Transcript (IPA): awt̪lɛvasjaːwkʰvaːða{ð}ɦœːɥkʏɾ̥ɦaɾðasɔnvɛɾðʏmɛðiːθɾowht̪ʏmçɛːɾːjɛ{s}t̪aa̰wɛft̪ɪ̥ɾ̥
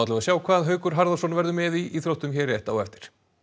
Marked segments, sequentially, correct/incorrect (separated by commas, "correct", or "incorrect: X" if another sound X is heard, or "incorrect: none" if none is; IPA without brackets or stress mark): correct, incorrect: h